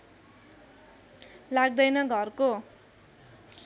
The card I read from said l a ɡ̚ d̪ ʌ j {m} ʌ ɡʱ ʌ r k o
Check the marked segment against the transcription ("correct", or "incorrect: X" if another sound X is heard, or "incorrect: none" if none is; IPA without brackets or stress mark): incorrect: n